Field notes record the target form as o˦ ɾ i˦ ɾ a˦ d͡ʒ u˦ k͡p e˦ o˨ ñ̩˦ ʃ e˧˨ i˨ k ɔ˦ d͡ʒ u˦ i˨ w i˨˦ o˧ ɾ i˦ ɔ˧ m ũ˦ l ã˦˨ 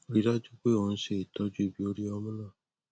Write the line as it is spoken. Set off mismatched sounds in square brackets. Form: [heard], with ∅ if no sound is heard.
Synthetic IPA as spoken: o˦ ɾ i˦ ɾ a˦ d͡ʒ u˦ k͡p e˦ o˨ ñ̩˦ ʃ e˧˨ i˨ [t] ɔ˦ d͡ʒ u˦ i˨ [b] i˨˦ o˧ ɾ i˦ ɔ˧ m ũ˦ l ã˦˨

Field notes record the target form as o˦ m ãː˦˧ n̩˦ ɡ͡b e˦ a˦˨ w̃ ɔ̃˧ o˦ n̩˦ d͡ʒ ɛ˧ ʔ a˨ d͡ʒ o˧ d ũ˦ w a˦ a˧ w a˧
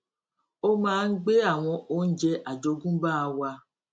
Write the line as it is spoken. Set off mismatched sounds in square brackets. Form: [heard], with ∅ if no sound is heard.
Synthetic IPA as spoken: o˦ m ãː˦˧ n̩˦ ɡ͡b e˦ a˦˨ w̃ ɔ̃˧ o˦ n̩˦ d͡ʒ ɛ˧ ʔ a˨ d͡ʒ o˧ [ɡ] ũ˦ [b] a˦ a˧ w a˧

